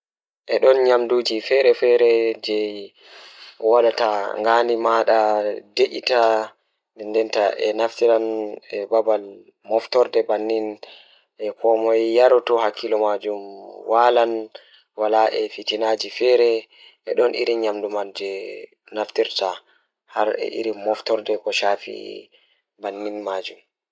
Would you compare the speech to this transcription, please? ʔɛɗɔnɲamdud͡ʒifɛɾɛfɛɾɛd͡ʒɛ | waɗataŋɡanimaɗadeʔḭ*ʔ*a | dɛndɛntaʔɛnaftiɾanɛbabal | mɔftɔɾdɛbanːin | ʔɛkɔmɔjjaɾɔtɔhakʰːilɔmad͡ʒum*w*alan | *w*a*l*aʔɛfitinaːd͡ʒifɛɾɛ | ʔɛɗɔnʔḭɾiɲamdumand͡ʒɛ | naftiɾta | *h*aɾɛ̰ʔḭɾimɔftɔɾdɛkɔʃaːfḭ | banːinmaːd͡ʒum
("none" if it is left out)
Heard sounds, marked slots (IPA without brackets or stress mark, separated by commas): t, w, w, l, h